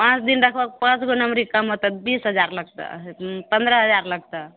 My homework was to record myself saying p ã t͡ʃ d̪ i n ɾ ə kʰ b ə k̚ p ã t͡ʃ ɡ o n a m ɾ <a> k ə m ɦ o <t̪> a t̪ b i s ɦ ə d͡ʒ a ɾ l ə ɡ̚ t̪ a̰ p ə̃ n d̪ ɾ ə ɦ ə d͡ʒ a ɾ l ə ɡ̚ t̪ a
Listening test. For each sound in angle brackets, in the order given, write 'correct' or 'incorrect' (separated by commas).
incorrect, correct